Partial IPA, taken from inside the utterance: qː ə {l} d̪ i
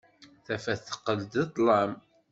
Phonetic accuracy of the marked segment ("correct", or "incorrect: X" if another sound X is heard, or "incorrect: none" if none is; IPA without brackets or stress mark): correct